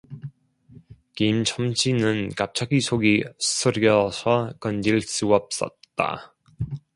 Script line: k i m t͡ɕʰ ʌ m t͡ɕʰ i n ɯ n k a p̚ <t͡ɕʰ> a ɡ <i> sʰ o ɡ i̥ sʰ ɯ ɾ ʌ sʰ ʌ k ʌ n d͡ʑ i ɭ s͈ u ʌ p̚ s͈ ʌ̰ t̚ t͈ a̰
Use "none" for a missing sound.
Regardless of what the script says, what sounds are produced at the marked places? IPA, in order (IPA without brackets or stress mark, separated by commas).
t͡ɕʰ, i